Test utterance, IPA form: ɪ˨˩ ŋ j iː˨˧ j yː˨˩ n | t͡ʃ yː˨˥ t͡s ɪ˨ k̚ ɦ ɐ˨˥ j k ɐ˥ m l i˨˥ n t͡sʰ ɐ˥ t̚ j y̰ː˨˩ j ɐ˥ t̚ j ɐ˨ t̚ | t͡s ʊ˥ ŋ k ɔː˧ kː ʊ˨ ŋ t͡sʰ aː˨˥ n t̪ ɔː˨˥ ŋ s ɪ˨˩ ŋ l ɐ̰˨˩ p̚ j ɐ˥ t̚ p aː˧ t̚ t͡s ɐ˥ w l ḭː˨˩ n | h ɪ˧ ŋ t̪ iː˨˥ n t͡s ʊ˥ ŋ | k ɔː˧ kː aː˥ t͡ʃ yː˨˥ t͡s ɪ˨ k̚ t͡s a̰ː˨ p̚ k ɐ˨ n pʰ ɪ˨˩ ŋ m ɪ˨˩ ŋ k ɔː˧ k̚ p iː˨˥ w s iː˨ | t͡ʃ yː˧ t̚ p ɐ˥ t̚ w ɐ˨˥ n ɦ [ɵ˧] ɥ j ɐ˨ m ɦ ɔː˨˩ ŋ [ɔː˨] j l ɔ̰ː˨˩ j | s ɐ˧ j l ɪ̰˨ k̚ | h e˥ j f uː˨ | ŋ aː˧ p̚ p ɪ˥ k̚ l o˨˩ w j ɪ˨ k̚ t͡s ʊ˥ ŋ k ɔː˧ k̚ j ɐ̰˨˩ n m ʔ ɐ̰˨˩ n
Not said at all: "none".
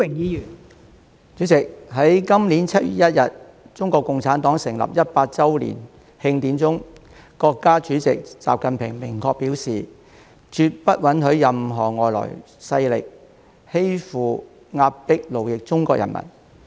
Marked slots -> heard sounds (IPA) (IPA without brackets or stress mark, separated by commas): ɵ˨˥, ɔː˨